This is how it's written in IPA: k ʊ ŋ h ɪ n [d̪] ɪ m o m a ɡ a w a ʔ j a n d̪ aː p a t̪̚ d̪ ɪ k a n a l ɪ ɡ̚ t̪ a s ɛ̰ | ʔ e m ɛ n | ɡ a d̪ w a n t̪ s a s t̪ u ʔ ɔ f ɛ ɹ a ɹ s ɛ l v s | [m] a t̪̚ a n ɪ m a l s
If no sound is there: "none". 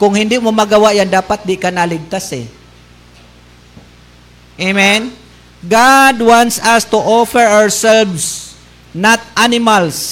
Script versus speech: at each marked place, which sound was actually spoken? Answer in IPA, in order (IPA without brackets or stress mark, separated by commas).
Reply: d̪, n